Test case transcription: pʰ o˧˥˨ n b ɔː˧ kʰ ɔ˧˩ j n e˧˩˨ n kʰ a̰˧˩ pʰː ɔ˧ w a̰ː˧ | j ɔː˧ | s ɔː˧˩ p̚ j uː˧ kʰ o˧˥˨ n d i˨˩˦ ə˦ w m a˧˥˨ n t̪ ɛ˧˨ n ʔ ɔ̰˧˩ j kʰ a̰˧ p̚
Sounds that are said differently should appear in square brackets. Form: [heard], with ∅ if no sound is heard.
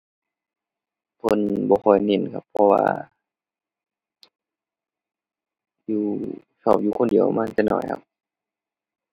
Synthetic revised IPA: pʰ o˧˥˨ n b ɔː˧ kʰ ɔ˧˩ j n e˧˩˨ n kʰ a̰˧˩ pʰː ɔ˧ w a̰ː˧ | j [uː˧] | s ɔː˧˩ p̚ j uː˧ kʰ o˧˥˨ n d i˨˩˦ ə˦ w m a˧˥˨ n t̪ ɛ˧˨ n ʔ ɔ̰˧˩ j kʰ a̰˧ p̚

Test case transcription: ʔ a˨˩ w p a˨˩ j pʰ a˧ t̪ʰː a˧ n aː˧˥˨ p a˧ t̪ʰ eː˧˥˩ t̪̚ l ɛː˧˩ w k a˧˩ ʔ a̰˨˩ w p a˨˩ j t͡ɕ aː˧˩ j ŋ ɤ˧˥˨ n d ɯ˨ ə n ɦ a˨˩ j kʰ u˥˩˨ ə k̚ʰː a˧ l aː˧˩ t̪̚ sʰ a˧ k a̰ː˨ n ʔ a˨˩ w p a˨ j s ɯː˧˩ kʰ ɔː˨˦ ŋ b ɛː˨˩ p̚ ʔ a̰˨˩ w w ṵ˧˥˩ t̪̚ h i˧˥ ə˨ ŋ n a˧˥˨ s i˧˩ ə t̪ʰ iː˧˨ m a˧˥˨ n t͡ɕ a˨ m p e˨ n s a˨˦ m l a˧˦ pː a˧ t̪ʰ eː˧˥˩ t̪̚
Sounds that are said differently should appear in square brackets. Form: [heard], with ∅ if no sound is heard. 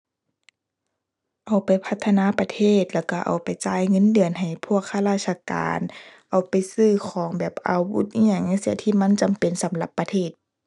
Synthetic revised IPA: ʔ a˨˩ w p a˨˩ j pʰ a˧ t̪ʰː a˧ n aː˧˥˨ p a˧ t̪ʰ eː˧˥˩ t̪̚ l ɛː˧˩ w k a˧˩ ʔ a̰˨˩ w p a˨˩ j t͡ɕ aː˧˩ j ŋ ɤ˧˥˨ n d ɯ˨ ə n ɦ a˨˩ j [pʰ] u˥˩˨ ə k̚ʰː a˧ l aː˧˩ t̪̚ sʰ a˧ k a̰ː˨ n ʔ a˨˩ w p a˨ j s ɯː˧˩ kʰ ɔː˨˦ ŋ b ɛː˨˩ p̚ ʔ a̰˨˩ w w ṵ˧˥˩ t̪̚ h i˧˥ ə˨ ŋ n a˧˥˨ s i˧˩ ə t̪ʰ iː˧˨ m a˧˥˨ n t͡ɕ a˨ m p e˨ n s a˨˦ m l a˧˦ pː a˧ t̪ʰ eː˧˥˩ t̪̚

